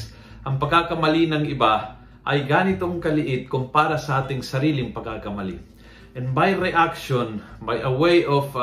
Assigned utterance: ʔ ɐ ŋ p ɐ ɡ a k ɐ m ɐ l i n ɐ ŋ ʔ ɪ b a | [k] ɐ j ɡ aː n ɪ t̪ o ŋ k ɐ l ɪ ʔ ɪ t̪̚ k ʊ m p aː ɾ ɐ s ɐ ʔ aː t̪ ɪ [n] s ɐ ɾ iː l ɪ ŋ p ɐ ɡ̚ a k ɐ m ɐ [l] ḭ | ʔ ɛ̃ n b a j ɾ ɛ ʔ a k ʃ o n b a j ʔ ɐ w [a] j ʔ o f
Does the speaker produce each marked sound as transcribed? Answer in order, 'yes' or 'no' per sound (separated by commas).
no, no, yes, no